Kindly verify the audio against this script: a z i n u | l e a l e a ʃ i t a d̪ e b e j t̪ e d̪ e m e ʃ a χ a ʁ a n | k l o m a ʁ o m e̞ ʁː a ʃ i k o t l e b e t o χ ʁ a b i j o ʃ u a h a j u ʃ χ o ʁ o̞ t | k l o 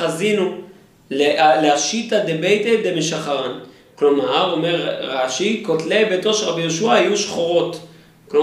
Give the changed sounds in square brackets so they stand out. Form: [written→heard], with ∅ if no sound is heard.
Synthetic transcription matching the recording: a z i n u | l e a l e a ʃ i t a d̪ e b e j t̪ e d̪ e m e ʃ a χ a ʁ a n | k l o m a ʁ o m e̞ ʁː a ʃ i k o t l e b e t o [χ→ʃ] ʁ a b i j o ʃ u a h a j u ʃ χ o ʁ o̞ t | k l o